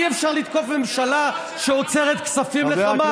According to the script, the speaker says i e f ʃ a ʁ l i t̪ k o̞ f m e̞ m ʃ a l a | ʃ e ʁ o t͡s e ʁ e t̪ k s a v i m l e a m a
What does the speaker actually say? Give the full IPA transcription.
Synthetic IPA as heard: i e f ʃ a ʁ l i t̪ k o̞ f m e̞ m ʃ a l a | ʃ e o t͡s e ʁ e t̪ k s a f i m l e a m a